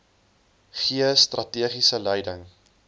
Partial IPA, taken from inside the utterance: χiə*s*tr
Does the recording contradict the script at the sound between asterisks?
no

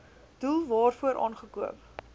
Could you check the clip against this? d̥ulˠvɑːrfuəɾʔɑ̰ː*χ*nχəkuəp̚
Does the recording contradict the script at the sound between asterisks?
yes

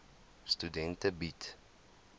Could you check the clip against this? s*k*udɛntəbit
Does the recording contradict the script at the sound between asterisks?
yes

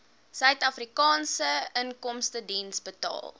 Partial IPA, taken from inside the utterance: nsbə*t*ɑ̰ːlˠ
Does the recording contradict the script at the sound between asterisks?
no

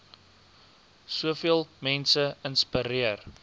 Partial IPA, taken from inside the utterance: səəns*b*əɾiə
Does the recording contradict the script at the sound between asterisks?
yes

